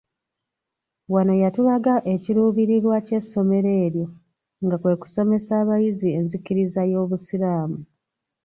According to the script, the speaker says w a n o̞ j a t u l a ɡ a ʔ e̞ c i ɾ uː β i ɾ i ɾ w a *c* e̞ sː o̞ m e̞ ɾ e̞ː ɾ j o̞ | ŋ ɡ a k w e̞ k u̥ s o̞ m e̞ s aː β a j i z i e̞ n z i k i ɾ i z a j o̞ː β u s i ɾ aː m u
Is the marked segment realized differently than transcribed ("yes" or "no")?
no